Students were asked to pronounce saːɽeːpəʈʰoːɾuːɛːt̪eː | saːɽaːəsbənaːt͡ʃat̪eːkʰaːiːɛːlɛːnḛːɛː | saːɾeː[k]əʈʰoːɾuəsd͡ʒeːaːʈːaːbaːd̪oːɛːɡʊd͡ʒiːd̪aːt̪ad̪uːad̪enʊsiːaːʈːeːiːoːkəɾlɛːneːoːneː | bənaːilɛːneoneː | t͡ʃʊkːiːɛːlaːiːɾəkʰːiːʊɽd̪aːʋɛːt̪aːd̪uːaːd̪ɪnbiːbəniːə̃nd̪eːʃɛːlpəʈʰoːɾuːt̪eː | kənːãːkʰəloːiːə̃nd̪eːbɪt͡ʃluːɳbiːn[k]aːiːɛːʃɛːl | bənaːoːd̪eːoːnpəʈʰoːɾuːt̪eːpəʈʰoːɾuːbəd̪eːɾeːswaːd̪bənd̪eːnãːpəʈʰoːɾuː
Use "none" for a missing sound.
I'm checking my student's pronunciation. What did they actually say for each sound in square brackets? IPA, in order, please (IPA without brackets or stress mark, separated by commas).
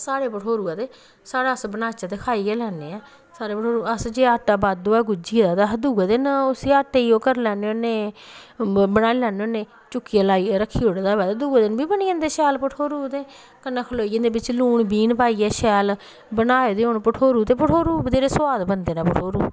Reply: p, p